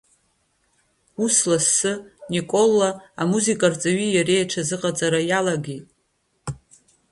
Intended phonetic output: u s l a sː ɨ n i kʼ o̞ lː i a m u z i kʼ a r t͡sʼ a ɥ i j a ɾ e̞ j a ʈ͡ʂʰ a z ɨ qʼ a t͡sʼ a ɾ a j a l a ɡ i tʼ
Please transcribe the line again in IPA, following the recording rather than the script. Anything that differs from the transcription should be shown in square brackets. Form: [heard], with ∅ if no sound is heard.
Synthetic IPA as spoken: u s l a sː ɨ n i kʼ o̞ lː [a] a m u z i kʼ a r t͡sʼ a ɥ i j a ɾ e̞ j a ʈ͡ʂʰ a z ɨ qʼ a t͡sʼ a ɾ a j a l a ɡ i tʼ